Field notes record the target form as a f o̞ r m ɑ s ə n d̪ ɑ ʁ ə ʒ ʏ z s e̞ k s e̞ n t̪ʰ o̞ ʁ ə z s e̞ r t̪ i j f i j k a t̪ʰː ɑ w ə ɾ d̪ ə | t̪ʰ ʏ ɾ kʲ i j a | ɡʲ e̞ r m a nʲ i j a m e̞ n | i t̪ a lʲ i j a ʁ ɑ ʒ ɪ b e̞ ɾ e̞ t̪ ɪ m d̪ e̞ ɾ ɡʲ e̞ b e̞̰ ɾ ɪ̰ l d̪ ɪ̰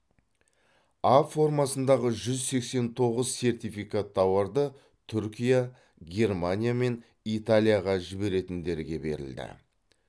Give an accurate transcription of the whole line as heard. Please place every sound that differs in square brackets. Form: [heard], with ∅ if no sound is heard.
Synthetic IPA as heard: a f o̞ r m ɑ s ə n d̪ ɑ ʁ ə ʒ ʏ z s e̞ k s e̞ n t̪ʰ o̞ ʁ ə z s e̞ r t̪ i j f i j k a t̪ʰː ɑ w [ɑ] ɾ d̪ ə | t̪ʰ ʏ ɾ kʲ i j a | ɡʲ e̞ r m a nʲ i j a m e̞ n | i t̪ a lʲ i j a ʁ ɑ ʒ ɪ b e̞ ɾ e̞ t̪ ɪ [n] d̪ e̞ ɾ ɡʲ e̞ b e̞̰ ɾ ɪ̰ l d̪ ɪ̰